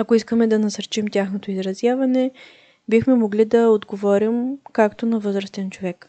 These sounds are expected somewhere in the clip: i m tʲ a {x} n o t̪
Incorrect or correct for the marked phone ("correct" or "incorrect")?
correct